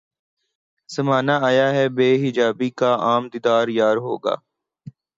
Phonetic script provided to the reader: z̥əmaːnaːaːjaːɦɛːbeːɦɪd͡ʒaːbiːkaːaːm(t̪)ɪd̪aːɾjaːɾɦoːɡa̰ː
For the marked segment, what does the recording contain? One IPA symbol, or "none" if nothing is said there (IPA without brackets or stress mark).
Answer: d̪